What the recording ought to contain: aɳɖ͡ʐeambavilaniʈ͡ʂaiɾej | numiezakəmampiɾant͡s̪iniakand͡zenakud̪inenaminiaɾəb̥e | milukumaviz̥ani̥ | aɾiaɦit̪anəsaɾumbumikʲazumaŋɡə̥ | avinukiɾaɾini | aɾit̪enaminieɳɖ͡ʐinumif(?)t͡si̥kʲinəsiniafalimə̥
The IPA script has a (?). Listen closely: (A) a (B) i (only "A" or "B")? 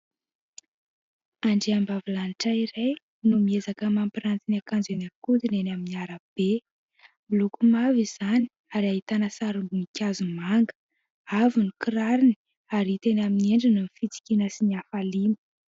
B